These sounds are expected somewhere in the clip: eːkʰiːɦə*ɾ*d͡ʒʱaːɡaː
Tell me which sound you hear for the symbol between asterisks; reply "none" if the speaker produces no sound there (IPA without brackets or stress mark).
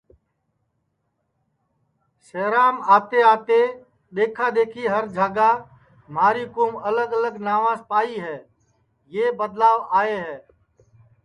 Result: ɾ